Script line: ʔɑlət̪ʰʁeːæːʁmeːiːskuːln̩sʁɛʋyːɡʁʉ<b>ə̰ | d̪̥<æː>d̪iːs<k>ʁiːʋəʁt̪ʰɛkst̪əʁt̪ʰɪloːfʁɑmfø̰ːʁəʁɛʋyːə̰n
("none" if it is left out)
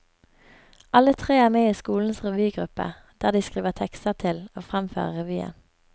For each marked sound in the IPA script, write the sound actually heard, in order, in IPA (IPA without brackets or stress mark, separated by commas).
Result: p, æː, k